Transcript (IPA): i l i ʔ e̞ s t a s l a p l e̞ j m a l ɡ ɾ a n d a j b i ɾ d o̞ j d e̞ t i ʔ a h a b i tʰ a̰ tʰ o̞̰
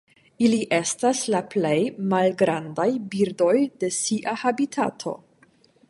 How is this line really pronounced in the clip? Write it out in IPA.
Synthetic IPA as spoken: i l i ʔ e̞ s t a s l a p l e̞ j m a l ɡ ɾ a n d a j b i ɾ d o̞ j d e̞ s i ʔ a h a b i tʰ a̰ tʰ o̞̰